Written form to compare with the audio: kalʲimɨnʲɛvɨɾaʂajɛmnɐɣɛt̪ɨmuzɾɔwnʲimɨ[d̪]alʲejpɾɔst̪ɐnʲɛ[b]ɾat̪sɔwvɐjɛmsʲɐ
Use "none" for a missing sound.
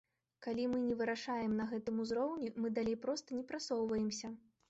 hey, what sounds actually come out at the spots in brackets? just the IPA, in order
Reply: d̪, p

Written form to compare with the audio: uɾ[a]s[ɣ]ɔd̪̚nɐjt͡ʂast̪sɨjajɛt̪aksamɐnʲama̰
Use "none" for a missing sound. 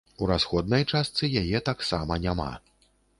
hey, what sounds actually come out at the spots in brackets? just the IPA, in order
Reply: a, x

